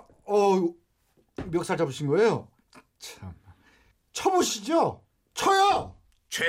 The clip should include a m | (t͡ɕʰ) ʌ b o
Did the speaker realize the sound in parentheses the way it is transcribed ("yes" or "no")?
yes